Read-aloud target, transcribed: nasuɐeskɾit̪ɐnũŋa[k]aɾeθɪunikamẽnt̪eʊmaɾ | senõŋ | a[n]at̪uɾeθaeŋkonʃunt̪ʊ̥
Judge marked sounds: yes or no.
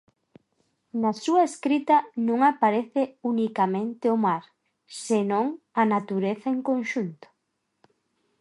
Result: no, yes

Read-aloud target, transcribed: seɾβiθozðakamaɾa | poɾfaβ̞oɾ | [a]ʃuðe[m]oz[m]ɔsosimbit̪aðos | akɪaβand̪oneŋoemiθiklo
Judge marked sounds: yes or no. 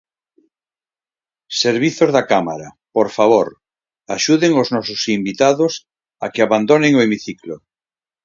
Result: yes, no, no

